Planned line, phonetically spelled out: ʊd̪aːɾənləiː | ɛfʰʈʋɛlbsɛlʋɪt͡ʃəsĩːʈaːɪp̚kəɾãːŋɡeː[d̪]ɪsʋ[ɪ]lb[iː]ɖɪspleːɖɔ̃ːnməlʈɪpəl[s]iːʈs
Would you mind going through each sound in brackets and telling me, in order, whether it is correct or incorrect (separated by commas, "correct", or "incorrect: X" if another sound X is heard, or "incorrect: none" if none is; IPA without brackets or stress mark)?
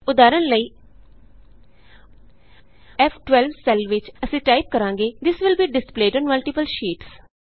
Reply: correct, correct, correct, incorrect: ʃ